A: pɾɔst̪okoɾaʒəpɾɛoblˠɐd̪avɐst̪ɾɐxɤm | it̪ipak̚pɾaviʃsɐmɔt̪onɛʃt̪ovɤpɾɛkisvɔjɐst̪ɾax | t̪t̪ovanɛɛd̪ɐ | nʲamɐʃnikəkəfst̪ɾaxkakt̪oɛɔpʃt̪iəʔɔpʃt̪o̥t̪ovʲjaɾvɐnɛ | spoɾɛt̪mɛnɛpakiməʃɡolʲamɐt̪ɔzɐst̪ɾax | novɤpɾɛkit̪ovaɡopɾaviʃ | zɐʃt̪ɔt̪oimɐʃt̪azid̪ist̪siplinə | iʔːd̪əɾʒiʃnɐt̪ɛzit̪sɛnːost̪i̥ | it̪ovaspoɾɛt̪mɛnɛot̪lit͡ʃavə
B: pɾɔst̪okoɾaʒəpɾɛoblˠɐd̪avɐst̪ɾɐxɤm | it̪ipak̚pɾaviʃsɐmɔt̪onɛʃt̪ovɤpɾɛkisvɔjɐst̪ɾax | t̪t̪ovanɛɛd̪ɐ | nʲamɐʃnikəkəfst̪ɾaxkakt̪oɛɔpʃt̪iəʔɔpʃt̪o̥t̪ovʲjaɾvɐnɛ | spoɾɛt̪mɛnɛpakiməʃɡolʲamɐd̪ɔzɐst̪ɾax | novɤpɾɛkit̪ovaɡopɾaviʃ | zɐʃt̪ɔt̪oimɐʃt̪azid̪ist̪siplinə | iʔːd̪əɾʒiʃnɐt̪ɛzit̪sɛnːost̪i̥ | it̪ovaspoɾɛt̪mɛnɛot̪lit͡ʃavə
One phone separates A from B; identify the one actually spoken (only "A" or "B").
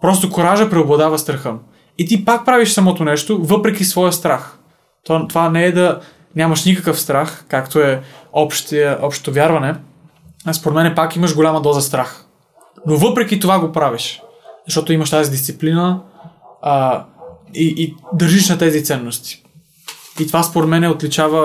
B